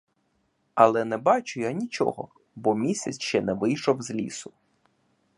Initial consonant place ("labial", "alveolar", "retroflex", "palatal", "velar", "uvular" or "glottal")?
alveolar